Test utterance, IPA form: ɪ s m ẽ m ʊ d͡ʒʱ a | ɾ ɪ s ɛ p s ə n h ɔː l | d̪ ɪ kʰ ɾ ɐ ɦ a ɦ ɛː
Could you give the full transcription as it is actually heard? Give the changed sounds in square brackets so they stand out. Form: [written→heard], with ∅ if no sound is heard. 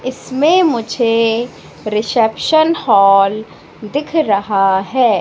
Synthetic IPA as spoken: ɪ s m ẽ m ʊ d͡ʒʱ [a→e] | ɾ ɪ s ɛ p [s→ʃ] ə n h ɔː l | d̪ ɪ kʰ ɾ ɐ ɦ a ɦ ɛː